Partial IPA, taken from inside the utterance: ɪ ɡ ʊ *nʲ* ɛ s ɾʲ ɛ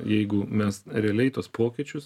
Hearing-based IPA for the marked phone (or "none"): mʲ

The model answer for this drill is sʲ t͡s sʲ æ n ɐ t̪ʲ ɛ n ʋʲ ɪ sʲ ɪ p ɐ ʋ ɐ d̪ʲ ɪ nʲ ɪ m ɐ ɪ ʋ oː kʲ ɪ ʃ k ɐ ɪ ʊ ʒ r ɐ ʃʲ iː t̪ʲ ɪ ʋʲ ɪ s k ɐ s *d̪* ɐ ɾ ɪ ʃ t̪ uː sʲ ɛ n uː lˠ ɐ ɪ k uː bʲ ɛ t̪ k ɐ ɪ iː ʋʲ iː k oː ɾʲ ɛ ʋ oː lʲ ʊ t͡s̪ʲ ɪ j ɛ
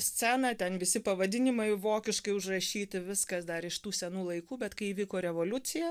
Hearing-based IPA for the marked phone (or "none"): d̪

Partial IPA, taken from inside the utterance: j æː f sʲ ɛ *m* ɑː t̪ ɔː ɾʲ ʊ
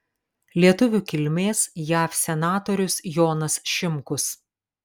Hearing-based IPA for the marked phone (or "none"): n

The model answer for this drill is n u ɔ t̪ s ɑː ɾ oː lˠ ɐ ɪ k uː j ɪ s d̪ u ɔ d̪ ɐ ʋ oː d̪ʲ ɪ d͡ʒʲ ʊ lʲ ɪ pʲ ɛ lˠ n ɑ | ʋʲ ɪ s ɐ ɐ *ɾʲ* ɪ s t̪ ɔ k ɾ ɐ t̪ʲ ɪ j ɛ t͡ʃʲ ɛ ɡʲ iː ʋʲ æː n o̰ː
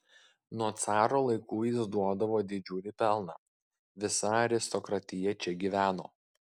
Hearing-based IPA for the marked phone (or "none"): ɾʲ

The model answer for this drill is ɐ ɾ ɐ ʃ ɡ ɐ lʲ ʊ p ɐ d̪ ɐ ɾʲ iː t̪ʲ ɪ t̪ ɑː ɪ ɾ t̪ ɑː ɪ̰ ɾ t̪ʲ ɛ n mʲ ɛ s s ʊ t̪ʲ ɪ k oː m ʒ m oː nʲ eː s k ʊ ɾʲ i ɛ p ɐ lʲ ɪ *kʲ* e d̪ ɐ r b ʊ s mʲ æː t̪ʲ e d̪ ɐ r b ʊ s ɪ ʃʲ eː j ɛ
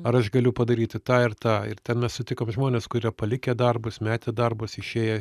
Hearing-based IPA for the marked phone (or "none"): kʲ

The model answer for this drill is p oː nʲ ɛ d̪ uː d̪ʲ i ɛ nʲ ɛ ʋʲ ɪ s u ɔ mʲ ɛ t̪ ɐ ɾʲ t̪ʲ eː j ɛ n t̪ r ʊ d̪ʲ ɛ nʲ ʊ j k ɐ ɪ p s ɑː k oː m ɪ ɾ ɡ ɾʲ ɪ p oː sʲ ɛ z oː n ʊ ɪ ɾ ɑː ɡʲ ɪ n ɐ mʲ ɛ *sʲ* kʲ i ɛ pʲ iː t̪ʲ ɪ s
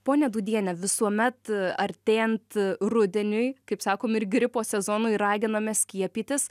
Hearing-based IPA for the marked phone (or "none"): sʲ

